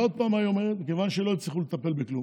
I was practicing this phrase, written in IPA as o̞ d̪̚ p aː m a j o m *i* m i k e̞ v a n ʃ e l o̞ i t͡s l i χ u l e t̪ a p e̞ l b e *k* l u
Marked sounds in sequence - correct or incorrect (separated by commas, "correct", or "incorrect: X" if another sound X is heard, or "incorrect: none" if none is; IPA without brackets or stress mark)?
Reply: incorrect: e, correct